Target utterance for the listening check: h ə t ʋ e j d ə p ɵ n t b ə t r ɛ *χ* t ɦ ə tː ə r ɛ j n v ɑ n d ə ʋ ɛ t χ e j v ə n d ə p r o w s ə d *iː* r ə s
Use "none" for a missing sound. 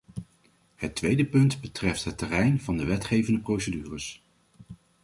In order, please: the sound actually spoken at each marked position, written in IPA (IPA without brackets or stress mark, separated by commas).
f, yː